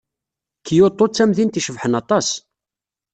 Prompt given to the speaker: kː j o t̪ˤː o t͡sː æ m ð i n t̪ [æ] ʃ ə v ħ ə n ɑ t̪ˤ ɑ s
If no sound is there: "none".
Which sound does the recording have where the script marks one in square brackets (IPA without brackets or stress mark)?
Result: i